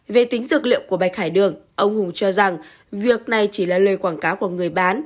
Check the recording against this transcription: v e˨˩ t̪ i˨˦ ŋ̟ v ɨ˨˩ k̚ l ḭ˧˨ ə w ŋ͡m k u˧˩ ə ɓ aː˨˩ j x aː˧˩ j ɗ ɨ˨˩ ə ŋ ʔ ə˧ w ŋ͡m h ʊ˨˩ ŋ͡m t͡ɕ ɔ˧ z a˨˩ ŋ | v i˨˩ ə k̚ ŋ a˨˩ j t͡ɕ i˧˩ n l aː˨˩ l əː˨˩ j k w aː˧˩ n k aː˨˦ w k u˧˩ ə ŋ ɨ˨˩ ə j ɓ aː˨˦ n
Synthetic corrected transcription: v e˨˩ t̪ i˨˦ ŋ̟ z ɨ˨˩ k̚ l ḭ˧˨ ə w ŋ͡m k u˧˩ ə ɓ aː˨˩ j x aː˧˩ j ɗ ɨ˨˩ ə ŋ ʔ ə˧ w ŋ͡m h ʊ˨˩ ŋ͡m t͡ɕ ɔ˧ z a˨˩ ŋ | v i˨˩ ə k̚ n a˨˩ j t͡ɕ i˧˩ l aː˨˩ l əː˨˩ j k w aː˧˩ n k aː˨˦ w k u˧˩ ə ŋ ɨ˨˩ ə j ɓ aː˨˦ n